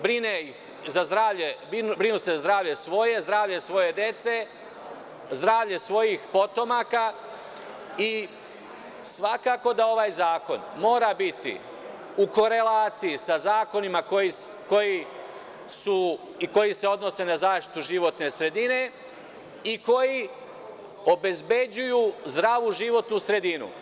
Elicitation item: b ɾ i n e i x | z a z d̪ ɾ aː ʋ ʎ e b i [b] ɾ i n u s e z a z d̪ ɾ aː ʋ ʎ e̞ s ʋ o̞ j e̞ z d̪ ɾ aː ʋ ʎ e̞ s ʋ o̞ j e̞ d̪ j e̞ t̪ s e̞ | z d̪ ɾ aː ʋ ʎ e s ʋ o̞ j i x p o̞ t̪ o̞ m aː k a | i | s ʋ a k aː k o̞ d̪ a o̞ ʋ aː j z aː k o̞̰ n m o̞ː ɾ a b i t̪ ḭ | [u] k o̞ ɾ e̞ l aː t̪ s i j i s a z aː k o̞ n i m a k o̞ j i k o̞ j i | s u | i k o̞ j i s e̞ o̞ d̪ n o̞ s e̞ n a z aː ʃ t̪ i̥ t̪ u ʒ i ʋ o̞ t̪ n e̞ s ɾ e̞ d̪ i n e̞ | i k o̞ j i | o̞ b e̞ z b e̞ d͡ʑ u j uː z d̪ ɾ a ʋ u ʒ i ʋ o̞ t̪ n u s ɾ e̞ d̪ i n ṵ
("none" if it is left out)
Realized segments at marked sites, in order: b, u

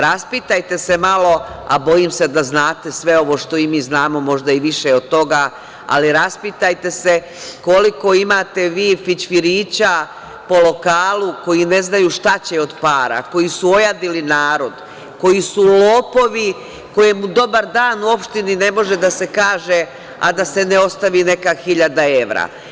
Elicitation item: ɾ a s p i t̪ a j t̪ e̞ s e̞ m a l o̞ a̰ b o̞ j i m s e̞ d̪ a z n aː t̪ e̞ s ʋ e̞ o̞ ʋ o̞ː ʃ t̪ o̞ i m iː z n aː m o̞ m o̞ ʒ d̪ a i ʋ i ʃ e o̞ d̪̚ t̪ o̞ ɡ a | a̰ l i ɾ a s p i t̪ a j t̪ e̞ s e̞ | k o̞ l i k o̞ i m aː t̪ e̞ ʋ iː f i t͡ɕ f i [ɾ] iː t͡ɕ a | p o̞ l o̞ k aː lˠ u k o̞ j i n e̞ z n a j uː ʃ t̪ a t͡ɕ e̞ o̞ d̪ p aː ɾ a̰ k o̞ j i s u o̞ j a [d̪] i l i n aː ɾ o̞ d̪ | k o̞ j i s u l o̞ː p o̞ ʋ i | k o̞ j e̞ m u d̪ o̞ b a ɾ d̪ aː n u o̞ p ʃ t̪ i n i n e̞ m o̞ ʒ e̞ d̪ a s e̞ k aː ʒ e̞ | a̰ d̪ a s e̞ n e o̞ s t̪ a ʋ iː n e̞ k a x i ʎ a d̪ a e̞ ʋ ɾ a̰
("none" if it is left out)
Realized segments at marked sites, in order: ɾ, d̪

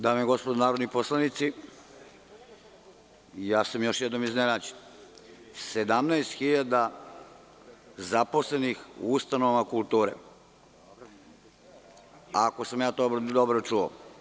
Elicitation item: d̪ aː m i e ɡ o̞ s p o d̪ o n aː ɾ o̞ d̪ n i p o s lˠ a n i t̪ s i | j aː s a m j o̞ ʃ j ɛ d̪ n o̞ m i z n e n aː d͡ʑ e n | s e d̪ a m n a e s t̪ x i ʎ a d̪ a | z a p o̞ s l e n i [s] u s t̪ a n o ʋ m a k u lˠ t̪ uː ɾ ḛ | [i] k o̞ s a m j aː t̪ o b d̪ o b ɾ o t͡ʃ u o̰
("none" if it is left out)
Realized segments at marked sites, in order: x, a

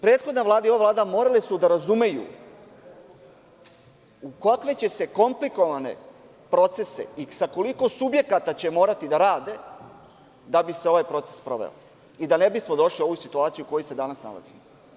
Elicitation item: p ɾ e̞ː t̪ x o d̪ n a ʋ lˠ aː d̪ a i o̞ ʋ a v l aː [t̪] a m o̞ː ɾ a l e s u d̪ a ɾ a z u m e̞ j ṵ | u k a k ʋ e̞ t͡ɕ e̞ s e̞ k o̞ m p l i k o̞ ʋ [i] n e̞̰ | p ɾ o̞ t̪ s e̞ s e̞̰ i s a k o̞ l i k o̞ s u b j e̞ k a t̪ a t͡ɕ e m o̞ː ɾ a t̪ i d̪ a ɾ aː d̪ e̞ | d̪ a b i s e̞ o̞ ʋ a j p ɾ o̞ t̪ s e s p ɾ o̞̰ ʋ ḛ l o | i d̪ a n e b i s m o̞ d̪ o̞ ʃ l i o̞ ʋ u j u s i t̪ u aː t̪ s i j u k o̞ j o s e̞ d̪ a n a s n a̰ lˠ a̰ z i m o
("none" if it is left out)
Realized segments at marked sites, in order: d̪, a

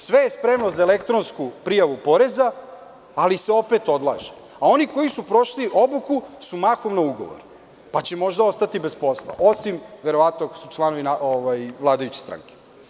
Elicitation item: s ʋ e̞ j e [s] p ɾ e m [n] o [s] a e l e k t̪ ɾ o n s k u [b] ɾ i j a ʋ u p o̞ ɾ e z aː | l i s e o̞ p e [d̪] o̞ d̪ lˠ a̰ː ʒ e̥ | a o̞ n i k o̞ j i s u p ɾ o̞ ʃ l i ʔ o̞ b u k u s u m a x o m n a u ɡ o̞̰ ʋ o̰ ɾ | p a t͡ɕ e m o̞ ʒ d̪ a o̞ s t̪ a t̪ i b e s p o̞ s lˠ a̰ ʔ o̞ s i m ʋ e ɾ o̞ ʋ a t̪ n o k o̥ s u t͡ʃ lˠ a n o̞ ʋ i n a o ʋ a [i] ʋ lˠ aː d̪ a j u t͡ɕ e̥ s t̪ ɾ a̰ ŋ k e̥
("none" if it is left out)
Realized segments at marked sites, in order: s, n, z, p, t̪, j

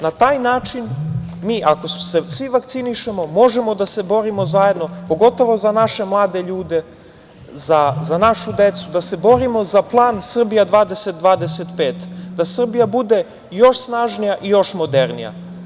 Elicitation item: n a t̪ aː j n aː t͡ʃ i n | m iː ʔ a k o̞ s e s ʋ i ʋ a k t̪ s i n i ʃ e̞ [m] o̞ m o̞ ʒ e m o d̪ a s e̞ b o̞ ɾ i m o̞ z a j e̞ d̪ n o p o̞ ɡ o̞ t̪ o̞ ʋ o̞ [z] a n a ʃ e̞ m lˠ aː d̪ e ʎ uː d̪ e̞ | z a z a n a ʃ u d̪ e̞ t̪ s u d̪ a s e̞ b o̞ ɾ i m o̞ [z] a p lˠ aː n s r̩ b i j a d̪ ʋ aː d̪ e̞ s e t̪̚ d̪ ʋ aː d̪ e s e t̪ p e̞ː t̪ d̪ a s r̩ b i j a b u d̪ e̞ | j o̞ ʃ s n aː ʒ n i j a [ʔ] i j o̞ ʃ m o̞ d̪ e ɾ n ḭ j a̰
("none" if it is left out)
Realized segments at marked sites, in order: m, z, z, ʔ

